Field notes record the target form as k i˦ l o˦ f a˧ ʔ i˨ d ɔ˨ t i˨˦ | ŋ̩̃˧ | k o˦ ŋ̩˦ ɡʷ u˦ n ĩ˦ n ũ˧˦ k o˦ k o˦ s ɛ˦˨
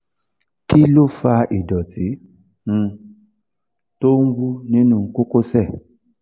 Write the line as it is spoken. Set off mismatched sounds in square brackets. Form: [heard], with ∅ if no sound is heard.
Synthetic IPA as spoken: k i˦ l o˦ f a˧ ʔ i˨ d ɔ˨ t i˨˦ | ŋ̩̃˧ | [t] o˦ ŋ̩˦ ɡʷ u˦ n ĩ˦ n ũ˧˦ k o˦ k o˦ s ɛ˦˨

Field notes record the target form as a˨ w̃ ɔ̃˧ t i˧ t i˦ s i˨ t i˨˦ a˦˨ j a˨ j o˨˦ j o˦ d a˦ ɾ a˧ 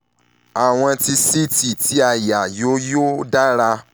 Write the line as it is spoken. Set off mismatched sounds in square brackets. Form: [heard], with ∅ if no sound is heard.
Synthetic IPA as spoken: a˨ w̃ ɔ̃˧ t i˧ [s] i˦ [t] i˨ t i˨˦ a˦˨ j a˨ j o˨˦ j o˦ d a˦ ɾ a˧

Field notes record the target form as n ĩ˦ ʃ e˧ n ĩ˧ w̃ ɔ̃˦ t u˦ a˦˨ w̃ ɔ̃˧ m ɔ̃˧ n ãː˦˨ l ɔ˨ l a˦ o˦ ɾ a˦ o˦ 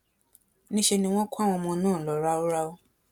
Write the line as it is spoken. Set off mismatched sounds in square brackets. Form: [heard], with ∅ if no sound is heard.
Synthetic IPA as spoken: n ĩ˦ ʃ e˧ n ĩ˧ w̃ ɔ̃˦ [k] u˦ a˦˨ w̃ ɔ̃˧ m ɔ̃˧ n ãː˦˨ l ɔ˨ [ɾ] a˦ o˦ ɾ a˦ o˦

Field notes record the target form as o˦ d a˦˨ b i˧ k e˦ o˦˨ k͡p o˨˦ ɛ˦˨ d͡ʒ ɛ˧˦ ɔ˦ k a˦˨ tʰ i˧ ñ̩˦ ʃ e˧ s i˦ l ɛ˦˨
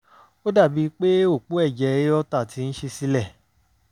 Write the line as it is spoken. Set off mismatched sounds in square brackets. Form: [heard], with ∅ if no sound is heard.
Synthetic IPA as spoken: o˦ d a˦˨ b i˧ [k͡p] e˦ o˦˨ k͡p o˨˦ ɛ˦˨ d͡ʒ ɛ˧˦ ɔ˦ [t] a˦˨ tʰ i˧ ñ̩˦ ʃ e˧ s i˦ l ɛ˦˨

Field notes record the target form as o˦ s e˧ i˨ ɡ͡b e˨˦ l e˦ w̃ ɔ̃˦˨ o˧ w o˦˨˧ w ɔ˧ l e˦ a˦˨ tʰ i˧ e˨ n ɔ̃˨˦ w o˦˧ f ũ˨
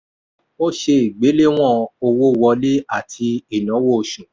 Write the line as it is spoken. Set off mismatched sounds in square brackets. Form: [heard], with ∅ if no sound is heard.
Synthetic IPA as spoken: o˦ [ʃ] e˧ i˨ ɡ͡b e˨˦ l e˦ w̃ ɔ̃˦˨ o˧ w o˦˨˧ w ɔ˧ l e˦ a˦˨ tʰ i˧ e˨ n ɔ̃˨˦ w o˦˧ [ʃ] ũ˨

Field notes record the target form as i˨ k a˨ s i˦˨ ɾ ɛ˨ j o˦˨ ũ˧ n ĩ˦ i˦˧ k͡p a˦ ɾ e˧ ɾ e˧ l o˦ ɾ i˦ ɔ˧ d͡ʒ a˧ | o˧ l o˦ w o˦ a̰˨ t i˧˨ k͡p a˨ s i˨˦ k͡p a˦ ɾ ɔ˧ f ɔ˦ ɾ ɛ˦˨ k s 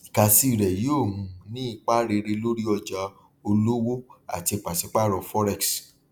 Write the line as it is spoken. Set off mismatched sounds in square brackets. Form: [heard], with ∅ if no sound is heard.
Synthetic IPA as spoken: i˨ k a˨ s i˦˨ ɾ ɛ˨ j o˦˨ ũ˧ n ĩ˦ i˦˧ k͡p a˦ ɾ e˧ ɾ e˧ l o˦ ɾ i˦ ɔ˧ d͡ʒ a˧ | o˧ l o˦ w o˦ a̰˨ t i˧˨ k͡p a˨ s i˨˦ k͡p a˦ ɾ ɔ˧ f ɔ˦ ɾ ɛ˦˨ k s

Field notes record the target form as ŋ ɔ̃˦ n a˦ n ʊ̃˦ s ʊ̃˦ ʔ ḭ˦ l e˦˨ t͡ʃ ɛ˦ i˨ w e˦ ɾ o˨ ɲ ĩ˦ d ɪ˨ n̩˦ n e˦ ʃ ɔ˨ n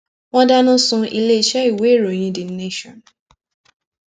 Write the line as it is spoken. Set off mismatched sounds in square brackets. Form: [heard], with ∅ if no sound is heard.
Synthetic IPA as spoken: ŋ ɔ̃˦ [d] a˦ n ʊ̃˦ s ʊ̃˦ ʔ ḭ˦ l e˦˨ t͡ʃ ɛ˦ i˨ w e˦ ɾ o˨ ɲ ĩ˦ d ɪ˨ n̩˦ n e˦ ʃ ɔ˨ n

